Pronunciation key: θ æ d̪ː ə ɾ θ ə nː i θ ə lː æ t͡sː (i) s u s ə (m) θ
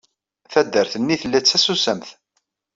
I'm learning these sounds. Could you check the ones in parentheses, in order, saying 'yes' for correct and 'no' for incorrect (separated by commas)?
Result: no, yes